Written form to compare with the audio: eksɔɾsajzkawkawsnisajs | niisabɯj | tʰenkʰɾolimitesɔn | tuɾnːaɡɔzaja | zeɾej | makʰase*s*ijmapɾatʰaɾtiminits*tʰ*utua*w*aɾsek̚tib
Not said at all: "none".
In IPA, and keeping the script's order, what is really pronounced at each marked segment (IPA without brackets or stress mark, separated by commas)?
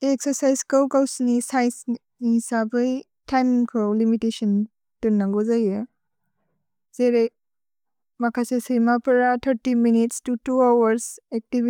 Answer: s, t, w